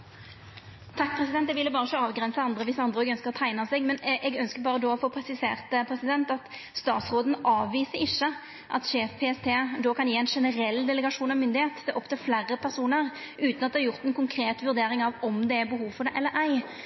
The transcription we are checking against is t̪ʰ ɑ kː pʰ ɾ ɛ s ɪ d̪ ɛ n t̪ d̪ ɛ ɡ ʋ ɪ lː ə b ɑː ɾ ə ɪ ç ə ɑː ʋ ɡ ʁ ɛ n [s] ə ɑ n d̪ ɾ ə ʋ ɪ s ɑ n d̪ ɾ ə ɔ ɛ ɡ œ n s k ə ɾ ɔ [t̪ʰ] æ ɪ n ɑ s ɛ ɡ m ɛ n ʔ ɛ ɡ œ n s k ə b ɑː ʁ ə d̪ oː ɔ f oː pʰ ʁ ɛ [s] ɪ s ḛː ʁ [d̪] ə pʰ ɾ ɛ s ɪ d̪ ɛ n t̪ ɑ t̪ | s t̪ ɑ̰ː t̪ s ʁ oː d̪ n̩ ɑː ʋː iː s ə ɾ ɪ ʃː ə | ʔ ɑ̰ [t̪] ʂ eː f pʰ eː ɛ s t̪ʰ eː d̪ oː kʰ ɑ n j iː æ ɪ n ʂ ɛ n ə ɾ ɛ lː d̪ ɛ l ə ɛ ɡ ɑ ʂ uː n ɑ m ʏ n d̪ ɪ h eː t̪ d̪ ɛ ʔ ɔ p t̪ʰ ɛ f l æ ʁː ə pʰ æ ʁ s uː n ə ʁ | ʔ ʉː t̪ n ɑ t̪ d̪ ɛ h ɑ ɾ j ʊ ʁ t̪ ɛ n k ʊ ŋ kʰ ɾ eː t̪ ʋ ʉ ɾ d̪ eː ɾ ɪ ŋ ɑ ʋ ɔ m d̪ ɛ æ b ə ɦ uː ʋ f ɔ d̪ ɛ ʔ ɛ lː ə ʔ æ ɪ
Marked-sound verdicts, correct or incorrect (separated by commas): correct, correct, correct, incorrect, correct